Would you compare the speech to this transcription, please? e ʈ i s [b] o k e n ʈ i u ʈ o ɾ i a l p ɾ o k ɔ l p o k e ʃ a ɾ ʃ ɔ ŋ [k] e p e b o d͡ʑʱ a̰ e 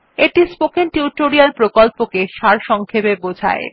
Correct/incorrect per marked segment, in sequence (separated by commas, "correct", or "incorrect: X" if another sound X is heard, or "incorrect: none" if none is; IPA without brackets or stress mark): incorrect: p, incorrect: kʰ